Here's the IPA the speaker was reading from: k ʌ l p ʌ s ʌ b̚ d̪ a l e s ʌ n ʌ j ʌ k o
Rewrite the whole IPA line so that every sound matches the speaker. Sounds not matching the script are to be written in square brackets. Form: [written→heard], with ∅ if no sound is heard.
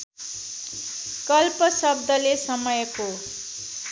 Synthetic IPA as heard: k ʌ l p ʌ s ʌ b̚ d̪ [a→ʌ] l e s ʌ [n→m] ʌ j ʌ k o